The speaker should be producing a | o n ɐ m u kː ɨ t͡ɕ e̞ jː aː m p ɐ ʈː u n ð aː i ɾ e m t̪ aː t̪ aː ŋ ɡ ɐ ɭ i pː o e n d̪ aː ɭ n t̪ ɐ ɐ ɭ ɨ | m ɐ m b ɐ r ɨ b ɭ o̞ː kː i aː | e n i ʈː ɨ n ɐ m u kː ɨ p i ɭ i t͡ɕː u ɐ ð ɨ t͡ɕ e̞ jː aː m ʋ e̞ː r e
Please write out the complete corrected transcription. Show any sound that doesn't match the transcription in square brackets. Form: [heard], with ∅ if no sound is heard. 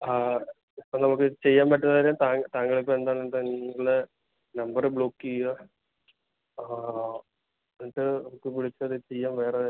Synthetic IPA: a | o n ɐ m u kː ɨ t͡ɕ e̞ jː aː m p ɐ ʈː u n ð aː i ɾ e m t̪ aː t̪ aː ŋ ɡ ɐ ɭ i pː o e n d̪ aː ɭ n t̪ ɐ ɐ ɭ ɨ | [n] ɐ m b ɐ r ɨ b ɭ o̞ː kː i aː | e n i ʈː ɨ n ɐ m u kː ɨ p i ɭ i t͡ɕː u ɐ ð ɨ t͡ɕ e̞ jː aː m ʋ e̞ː r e